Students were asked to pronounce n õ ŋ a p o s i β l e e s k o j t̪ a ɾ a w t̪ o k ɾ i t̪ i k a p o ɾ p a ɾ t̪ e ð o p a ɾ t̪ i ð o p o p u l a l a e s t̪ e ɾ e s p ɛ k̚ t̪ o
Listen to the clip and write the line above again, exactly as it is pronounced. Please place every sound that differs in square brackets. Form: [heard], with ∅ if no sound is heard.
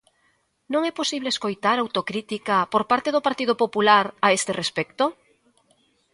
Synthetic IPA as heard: n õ ŋ [ɛ] p o s i β l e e s k o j t̪ a ɾ a w t̪ o k ɾ i t̪ i k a p o ɾ p a ɾ t̪ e ð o p a ɾ t̪ i ð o p o p u l a [ɾ] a e s t̪ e [r] e s p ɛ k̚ t̪ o

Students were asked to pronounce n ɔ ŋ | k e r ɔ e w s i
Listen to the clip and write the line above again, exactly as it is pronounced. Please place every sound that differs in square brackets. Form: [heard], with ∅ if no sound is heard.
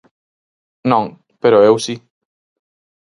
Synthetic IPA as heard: n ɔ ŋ | [p] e [ɾ] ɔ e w s i

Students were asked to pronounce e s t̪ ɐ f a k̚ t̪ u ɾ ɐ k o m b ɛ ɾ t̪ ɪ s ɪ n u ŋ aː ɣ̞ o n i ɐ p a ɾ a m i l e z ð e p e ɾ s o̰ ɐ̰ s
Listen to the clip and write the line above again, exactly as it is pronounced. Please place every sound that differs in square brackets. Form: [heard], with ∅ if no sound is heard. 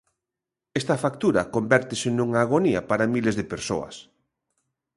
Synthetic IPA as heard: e s t̪ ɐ f a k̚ t̪ u ɾ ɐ k o m b ɛ ɾ t̪ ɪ s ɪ n u ŋ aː ɣ̞ o n i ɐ p a ɾ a m i l e z ð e p e ɾ s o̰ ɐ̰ s

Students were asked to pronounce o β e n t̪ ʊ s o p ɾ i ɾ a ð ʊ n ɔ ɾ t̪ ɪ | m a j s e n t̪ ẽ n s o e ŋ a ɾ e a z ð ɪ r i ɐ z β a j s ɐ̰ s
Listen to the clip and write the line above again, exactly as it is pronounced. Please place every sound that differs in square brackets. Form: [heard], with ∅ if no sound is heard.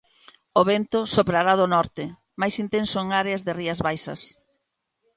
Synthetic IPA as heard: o β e n t̪ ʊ s o p ɾ [a] ɾ a ð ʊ n ɔ ɾ t̪ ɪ | m a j s [i] n t̪ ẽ n s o e ŋ a ɾ e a z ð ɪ r i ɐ z β a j s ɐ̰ s

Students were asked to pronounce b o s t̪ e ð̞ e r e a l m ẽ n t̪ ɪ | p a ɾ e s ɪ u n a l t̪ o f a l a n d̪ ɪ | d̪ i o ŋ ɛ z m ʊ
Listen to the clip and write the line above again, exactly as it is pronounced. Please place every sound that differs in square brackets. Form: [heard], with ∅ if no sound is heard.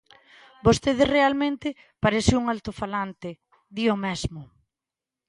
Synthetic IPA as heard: b o s t̪ e ð̞ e r e a l m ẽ n t̪ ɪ | p a ɾ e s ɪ u [ŋ] a l t̪ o f a l a n [t̪] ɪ | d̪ i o [m] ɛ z m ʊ

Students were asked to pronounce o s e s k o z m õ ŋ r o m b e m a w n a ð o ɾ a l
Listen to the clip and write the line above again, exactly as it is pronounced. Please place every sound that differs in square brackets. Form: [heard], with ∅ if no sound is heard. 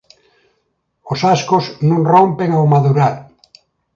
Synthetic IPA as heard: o s [a] s k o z [n] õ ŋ r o m [p] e [ŋ] a w [m] a ð [u] ɾ a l

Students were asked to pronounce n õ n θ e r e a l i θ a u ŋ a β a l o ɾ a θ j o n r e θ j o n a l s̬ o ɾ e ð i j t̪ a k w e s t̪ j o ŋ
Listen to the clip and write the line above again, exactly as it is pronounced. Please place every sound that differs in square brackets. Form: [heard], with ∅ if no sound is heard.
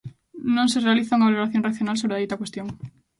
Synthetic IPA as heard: n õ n [s] e r e a l i θ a u ŋ a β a l o ɾ a θ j o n r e θ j o n a l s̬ o ɾ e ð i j t̪ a k w e s t̪ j o ŋ

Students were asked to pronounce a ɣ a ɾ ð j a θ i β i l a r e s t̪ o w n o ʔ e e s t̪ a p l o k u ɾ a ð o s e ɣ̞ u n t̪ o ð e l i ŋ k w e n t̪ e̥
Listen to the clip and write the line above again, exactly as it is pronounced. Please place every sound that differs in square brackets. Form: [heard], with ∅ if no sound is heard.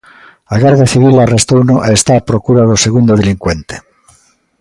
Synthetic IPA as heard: a ɣ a ɾ ð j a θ i β i l a r e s t̪ o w n o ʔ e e s t̪ a p [ɾ] o k u ɾ a ð o s e ɣ̞ u n [d̪] o ð e l i ŋ k w e n t̪ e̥

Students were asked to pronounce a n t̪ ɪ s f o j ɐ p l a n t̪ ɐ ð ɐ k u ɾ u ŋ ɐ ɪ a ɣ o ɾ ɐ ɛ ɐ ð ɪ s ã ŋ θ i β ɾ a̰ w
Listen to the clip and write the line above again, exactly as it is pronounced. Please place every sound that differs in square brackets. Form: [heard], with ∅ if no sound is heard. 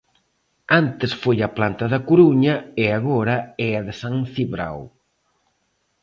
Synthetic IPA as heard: a n t̪ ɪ s f o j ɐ p l a n t̪ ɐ ð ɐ k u ɾ u [ɲ] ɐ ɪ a ɣ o ɾ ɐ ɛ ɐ ð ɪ s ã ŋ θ i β ɾ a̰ w

